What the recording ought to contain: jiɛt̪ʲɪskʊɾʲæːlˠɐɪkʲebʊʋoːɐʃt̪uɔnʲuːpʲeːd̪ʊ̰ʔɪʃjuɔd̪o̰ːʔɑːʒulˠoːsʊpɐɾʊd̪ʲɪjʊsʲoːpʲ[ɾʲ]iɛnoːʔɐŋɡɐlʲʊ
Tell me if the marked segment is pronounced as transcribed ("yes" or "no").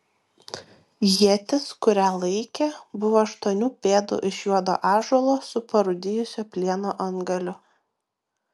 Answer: no